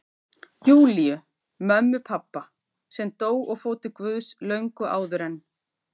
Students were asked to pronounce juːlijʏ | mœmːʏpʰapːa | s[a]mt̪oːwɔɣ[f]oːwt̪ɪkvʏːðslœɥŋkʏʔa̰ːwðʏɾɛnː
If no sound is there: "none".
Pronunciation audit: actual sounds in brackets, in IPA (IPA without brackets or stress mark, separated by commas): ɛ, f